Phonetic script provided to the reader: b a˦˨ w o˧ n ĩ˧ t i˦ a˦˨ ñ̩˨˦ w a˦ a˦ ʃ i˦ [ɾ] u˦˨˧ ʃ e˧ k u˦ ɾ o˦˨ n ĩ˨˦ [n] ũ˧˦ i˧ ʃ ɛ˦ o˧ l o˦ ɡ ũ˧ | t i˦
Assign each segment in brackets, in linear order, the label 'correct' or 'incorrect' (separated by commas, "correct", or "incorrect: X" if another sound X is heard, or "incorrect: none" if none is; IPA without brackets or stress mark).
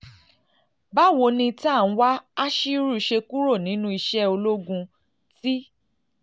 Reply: correct, correct